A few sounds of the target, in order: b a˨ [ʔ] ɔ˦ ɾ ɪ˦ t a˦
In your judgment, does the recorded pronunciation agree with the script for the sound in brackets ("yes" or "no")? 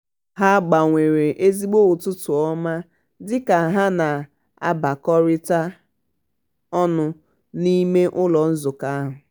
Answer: no